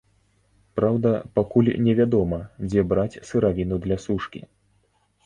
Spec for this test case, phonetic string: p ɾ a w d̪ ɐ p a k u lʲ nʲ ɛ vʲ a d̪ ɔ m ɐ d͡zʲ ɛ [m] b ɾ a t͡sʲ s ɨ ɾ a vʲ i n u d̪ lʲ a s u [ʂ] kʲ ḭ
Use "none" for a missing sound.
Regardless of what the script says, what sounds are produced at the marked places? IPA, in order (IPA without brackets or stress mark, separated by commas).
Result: none, ʂ